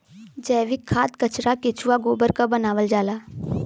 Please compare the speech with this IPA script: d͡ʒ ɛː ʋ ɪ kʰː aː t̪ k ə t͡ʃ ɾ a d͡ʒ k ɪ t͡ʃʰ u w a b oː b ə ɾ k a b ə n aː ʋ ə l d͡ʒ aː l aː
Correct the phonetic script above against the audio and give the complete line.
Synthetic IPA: d͡ʒ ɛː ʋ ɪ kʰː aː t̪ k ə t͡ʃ ɾ a k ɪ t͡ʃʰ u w a ɡ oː b ə ɾ k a b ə n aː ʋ ə l d͡ʒ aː l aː